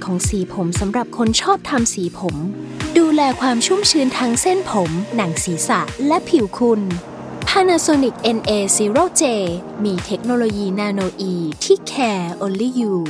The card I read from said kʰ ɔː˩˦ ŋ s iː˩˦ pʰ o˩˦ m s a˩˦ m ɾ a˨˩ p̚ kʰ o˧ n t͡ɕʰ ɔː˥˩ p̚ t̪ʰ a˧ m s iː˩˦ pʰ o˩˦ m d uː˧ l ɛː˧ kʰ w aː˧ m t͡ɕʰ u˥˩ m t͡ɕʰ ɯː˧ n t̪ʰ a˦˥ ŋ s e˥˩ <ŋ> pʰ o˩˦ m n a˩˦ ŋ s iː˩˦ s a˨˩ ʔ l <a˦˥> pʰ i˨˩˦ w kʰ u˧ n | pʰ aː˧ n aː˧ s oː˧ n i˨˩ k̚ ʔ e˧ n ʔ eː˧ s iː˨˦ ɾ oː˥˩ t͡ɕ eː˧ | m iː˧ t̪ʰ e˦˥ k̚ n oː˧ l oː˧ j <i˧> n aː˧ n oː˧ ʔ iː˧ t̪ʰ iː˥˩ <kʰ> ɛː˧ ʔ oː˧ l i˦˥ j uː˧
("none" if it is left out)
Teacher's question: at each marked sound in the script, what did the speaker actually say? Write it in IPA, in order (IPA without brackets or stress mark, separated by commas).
n, ɛ˦˥, iː˧, kʰ